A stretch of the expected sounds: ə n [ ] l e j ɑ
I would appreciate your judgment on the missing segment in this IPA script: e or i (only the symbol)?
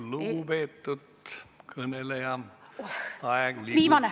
e